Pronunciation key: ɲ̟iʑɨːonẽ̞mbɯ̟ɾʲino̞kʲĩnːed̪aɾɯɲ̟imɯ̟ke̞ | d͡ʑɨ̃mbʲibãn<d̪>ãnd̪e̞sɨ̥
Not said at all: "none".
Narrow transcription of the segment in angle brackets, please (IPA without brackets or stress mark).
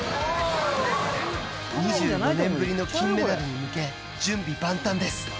t̪